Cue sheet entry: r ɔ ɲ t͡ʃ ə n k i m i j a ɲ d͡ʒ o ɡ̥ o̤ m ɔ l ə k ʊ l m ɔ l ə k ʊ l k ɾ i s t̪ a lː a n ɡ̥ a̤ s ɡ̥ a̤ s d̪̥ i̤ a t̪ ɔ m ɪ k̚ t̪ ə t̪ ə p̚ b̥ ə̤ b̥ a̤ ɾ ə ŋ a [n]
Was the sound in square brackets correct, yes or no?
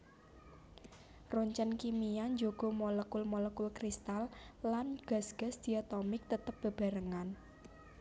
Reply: yes